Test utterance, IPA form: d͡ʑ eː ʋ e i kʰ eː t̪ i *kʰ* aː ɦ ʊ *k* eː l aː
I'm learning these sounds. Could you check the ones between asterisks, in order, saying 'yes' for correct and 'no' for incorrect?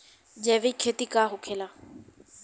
no, no

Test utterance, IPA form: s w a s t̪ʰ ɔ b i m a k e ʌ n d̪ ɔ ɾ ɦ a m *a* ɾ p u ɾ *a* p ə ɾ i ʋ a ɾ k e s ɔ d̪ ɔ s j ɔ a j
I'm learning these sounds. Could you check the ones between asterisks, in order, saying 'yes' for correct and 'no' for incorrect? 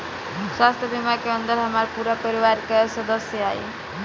yes, yes

